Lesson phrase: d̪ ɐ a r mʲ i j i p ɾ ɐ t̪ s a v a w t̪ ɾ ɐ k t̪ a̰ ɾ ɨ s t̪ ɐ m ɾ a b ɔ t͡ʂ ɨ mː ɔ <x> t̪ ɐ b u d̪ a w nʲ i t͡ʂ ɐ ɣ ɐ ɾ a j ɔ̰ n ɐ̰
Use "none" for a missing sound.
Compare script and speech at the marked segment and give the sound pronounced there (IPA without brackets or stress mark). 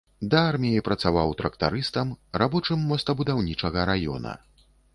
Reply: s